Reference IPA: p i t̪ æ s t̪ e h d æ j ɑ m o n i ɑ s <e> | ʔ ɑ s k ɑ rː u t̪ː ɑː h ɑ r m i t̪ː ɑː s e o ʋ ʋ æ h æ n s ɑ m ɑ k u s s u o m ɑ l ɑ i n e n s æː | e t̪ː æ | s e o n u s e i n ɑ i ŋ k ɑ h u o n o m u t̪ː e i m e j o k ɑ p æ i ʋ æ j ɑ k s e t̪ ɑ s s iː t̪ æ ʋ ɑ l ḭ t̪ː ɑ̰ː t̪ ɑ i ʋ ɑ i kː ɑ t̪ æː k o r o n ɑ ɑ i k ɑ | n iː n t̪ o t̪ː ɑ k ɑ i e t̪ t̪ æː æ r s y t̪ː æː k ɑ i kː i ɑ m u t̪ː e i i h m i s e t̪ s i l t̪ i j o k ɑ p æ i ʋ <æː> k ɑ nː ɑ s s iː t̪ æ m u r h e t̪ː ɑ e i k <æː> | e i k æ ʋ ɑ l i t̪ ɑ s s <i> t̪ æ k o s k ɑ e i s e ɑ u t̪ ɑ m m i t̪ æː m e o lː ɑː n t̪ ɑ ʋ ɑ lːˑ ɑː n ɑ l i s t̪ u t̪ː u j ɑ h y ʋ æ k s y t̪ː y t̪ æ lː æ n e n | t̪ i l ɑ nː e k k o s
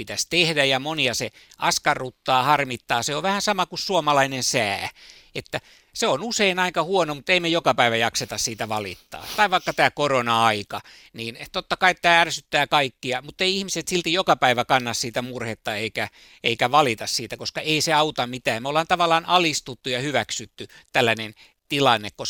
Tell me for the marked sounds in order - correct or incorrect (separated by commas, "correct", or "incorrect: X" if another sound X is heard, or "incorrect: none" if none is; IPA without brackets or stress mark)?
correct, incorrect: æ, incorrect: æ, incorrect: iː